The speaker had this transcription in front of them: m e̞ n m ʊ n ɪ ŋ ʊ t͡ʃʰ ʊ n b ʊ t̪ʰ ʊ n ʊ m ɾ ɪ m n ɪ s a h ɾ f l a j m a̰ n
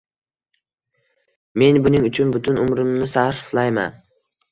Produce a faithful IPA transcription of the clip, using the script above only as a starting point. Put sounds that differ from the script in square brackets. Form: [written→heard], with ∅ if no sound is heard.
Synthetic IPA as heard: m e̞ n [m→b] ʊ n ɪ ŋ ʊ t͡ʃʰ ʊ n b ʊ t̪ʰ ʊ n ʊ m ɾ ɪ m n ɪ s a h ɾ f l a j m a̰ n